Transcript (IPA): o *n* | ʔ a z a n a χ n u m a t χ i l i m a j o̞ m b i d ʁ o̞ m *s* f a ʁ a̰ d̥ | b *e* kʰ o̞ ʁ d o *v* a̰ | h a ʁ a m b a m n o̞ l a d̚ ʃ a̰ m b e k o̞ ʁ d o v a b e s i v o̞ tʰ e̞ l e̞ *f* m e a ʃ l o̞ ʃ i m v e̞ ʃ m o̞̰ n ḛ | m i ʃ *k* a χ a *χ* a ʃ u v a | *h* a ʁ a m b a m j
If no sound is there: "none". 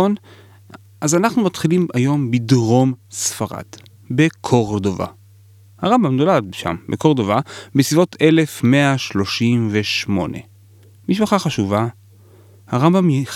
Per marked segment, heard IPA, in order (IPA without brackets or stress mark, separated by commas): n, s, e, v, f, p, χ, h